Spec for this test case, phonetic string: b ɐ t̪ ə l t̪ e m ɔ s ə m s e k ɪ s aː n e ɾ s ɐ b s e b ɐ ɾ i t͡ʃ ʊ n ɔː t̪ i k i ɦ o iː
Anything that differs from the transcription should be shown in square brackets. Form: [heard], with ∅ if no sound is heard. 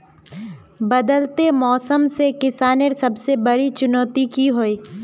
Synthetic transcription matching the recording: b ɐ [d̪] ə l t̪ e m [ɔː] s ə m s e k ɪ s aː n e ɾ s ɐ b s e b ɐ ɾ i t͡ʃ ʊ n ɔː t̪ i k i ɦ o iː